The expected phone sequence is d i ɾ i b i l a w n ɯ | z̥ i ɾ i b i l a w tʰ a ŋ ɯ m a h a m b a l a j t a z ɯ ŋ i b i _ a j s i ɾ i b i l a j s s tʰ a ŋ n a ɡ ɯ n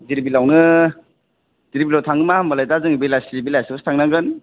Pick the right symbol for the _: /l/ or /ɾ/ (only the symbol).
l